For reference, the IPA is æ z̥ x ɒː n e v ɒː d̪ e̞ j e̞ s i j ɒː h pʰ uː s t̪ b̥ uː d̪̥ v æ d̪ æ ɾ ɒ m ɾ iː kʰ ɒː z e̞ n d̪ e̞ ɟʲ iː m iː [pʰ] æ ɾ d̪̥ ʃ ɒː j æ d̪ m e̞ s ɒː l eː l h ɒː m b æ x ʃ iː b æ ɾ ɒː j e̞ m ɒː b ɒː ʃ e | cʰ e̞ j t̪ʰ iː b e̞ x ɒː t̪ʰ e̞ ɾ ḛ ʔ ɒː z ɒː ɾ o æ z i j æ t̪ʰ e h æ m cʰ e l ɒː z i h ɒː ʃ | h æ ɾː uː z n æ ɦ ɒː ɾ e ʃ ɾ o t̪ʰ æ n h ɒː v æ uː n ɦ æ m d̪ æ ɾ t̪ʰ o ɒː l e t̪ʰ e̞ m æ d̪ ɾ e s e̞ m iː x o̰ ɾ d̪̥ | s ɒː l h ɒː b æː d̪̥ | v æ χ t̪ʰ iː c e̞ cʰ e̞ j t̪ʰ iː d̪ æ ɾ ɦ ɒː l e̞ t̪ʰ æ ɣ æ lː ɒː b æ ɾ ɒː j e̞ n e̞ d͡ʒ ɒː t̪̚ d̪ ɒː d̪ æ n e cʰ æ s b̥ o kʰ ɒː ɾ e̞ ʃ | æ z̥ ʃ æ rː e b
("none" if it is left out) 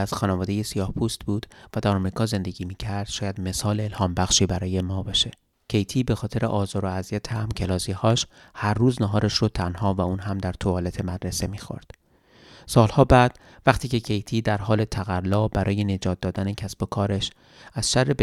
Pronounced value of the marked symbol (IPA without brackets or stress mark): cʰ